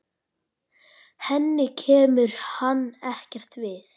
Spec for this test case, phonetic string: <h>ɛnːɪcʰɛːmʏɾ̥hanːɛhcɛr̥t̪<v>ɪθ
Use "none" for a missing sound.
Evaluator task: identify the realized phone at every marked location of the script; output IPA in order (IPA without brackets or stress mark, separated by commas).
h, v